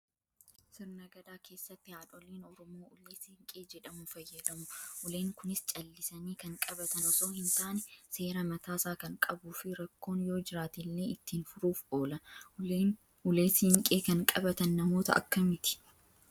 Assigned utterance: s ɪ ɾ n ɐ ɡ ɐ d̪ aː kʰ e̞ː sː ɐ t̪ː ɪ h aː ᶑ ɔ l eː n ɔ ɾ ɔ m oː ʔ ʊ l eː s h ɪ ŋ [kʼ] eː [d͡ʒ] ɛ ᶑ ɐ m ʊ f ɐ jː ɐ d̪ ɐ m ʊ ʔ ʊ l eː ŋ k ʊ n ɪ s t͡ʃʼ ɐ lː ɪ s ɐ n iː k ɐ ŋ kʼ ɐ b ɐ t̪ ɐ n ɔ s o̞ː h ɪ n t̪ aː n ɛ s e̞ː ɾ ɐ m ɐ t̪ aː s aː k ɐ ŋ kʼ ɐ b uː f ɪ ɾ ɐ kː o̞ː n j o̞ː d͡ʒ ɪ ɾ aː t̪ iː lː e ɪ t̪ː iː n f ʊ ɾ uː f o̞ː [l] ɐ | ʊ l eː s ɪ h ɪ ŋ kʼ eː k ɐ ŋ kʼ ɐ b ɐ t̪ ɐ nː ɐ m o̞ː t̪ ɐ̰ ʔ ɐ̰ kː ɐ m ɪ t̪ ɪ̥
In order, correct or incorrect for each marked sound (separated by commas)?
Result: correct, correct, correct